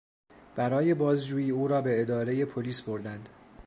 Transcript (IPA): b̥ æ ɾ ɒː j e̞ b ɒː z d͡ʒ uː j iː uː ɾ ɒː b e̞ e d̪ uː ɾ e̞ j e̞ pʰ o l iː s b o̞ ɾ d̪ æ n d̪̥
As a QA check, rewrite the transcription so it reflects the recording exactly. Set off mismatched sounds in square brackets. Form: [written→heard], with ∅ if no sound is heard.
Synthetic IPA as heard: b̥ æ ɾ ɒː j e̞ b ɒː z d͡ʒ uː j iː uː ɾ ɒː b e̞ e d̪ [uː→ɒː] ɾ e̞ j e̞ pʰ o l iː s b o̞ ɾ d̪ æ n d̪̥

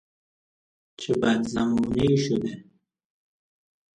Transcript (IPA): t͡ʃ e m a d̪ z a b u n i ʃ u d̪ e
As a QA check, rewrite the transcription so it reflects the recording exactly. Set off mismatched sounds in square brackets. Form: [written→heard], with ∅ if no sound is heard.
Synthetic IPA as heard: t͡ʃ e [m→b] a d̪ z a [b→m] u n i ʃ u d̪ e

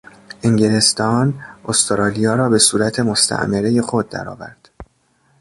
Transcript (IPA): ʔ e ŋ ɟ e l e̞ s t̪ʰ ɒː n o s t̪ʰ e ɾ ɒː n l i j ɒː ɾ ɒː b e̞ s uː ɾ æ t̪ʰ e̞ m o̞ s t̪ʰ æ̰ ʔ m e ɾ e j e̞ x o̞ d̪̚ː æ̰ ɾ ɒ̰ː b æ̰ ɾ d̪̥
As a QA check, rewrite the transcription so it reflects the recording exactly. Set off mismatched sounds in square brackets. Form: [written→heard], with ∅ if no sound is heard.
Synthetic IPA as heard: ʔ e ŋ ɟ e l e̞ s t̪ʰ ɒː n o s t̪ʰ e ɾ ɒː [n→∅] l i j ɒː ɾ ɒː b e̞ s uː ɾ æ t̪ʰ e̞ m o̞ s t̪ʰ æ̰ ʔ m e ɾ e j e̞ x o̞ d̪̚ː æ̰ ɾ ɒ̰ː [b→v] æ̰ ɾ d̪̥

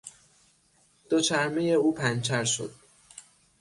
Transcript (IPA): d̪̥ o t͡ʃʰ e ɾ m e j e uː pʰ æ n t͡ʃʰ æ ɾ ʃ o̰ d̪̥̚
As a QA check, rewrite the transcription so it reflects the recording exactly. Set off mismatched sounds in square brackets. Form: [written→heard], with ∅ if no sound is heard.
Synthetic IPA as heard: d̪̥ o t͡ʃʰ [e→æ] ɾ m e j e uː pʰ æ n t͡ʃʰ æ ɾ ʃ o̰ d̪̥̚

